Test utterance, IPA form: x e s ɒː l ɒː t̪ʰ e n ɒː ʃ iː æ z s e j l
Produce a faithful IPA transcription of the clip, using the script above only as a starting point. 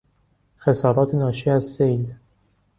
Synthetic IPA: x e s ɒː ɾ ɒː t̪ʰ e n ɒː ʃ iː æ z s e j l

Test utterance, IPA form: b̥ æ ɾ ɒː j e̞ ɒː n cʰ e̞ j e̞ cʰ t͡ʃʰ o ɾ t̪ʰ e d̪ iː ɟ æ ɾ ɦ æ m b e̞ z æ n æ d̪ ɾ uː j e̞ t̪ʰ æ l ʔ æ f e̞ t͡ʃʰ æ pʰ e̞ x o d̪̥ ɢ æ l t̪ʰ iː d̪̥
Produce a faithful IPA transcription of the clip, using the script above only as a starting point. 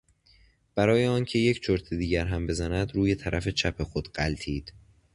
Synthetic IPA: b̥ æ ɾ ɒː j e̞ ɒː n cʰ e̞ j e̞ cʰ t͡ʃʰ o ɾ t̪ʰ e d̪ iː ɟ æ ɾ ɦ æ m b e̞ z æ n æ d̪ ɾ uː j e̞ t̪ʰ æ ɾ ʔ æ f e̞ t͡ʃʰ æ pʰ e̞ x o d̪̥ ɢ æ l t̪ʰ iː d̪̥

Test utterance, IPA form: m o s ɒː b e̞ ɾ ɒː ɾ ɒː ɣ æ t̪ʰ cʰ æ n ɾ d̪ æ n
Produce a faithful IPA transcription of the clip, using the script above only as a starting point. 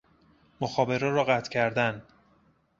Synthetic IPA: m o x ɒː b e̞ ɾ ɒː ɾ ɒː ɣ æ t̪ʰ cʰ æ ɾ d̪ æ n

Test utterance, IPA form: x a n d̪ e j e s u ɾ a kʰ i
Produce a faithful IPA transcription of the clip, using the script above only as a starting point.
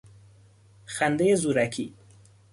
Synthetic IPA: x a n d̪ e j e z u ɾ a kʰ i

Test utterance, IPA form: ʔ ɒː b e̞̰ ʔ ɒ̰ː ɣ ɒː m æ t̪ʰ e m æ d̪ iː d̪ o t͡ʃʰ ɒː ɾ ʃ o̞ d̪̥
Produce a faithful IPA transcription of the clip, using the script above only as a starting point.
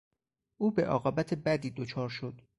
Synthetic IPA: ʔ uː b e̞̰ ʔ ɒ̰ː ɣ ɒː b æ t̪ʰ e b æ d̪ iː d̪ o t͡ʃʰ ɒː ɾ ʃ o̞ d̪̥

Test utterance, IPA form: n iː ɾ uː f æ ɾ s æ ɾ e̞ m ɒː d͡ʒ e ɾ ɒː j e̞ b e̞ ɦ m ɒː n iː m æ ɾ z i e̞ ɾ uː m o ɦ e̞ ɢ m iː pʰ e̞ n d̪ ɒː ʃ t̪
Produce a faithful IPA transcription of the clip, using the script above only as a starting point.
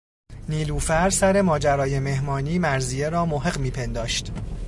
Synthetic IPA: n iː l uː f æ ɾ s æ ɾ e̞ m ɒː d͡ʒ æ ɾ ɒː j e̞ m e̞ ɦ m ɒː n iː m æ ɾ z i e̞ ɾ ɒː m o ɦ e̞ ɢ m iː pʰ e̞ n d̪ ɒː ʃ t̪

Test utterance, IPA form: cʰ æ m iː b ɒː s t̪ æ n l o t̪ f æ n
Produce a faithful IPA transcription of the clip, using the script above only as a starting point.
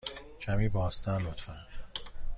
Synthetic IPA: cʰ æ m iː b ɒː s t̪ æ n l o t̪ f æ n

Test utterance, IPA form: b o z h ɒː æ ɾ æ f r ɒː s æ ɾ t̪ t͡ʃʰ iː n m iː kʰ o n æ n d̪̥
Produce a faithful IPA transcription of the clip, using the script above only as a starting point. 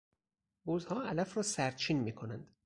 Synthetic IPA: b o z h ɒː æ l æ f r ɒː s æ ɾ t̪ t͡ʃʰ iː n m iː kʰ o n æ n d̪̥

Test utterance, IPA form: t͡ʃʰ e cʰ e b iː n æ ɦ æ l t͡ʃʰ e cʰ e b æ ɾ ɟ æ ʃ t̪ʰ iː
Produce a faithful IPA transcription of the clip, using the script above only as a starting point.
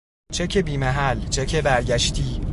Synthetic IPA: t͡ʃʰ e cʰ e b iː m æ ɦ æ l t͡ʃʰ e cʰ e b æ ɾ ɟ æ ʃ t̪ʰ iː

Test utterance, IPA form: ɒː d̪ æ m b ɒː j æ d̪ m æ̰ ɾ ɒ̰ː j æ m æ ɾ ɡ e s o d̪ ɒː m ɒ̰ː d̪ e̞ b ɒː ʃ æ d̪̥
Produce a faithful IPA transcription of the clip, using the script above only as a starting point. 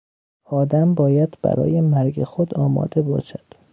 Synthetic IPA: ɒː d̪ æ m b ɒː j æ d̪ b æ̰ ɾ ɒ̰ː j e m æ ɾ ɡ e x o d̪ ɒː m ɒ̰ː d̪ e̞ b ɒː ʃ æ d̪̥

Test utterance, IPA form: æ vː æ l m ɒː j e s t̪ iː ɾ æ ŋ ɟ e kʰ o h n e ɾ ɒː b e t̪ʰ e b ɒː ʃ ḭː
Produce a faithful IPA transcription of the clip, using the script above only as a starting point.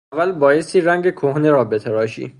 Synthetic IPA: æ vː æ l b ɒː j e s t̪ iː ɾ æ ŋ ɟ e kʰ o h n e ɾ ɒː b e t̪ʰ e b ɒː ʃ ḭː

